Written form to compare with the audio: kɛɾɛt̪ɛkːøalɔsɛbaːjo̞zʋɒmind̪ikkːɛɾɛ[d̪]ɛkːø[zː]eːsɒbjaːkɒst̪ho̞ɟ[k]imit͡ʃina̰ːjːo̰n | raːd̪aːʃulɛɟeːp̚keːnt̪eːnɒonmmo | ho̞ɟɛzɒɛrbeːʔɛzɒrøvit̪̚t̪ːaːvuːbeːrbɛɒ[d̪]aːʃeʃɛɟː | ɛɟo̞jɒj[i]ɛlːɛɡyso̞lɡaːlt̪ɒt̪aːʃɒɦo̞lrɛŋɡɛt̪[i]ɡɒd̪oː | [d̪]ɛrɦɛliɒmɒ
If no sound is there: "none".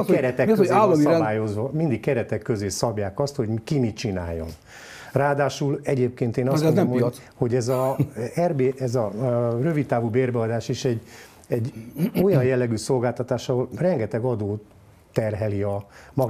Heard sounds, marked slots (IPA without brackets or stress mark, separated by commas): t̪, z, k, d̪, j, ɛ, t̪